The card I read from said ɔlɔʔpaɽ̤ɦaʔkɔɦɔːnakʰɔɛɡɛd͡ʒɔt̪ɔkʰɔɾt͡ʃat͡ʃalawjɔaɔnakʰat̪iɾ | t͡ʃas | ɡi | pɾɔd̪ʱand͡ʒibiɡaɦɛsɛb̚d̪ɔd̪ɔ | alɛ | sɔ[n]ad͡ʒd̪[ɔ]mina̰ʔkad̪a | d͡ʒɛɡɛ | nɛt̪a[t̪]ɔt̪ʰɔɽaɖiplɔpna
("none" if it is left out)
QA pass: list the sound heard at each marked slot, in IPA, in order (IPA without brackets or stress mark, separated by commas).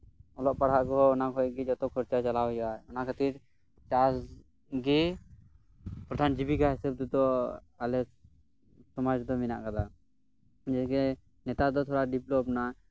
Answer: m, ɔ, d̪